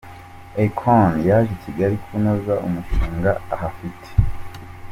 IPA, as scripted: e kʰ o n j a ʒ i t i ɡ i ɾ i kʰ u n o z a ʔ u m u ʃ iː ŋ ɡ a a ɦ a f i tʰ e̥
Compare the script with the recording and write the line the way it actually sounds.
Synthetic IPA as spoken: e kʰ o n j a ʒ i c i ɡ a ɾ i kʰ u n o z a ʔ u m u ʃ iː ŋ ɡ a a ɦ a f i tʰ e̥